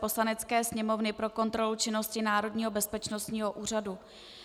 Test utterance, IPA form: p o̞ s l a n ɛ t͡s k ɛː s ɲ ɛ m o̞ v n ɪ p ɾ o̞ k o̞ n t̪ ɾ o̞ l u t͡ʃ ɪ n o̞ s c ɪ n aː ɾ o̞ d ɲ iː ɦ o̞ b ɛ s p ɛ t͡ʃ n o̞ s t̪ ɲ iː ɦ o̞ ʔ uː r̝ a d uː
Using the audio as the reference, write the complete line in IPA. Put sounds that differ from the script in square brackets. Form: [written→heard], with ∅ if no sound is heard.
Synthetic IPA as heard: p o̞ s l a n ɛ t͡s k ɛː s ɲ ɛ m o̞ v n ɪ p ɾ o̞ k o̞ n t̪ ɾ o̞ l u t͡ʃ ɪ n o̞ s c ɪ n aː ɾ o̞ d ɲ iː ɦ o̞ b ɛ s p ɛ t͡ʃ n o̞ s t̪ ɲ iː ɦ o̞ ʔ uː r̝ a d [uː→u]